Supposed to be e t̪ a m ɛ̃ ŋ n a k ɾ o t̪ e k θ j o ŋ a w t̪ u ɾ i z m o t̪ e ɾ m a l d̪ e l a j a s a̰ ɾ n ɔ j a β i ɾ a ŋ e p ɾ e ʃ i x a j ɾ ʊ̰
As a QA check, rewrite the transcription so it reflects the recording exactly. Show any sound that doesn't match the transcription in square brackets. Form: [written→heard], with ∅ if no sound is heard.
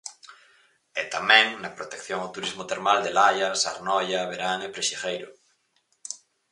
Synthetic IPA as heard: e t̪ a m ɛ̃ ŋ n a [k→p] ɾ o t̪ e k θ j o ŋ a w t̪ u ɾ i z m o t̪ e ɾ m a l d̪ e l a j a s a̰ ɾ n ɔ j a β [i→e] ɾ a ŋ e p ɾ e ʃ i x [a→e] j ɾ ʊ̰